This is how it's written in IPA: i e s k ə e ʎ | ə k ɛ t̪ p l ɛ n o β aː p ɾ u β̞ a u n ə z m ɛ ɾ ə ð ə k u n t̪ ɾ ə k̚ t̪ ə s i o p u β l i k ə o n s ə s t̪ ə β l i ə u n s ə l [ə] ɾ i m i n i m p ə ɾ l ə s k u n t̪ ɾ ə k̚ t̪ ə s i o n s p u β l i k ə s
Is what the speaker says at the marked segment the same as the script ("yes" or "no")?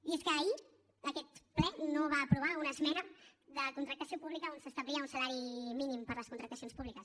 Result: no